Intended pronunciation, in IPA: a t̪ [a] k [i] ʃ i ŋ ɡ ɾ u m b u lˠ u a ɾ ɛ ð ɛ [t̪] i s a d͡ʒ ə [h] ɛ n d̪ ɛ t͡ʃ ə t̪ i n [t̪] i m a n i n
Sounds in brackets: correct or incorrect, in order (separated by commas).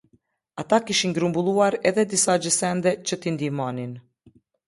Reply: correct, correct, incorrect, incorrect, incorrect